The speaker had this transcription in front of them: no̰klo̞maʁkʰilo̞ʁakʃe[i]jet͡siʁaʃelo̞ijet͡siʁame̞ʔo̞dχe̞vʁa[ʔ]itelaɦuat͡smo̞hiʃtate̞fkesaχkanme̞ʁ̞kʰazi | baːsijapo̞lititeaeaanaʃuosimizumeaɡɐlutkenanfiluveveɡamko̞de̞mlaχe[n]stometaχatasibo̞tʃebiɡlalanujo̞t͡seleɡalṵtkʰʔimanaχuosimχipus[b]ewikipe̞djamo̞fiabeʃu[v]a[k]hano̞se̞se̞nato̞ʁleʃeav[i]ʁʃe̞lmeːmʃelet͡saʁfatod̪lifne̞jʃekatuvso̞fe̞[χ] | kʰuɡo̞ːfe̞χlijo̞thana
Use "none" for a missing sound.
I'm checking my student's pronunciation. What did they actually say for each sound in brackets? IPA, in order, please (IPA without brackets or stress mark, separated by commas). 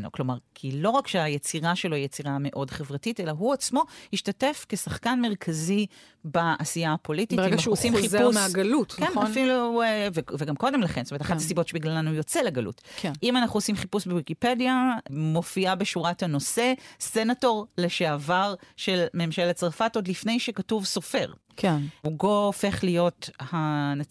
a, t, n, b, ʁ, t, a, ʁ